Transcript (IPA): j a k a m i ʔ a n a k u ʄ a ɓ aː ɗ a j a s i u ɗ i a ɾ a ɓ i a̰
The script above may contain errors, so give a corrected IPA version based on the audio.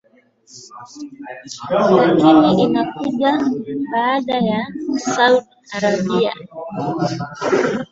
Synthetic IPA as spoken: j a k i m i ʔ i n a k u ʄ a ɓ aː ɗ a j a s a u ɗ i a ɾ a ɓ i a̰